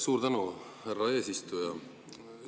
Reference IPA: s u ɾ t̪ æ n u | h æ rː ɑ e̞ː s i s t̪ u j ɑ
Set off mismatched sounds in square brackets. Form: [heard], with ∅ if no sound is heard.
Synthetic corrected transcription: s [uː] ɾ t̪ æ n u | h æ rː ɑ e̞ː s i s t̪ u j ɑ